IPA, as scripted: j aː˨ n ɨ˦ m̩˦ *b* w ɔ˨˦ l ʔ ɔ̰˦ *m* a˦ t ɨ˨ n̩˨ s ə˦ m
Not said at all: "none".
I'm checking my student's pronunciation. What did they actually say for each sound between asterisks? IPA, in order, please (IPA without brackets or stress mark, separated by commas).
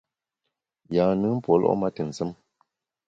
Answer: p, m